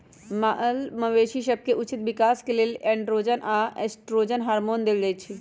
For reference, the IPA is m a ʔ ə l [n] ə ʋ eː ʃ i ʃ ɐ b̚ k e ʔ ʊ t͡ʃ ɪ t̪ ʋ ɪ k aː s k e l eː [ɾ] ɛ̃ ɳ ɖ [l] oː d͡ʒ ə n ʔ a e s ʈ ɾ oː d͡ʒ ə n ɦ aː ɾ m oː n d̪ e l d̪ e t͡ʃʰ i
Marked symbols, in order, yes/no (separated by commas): no, no, no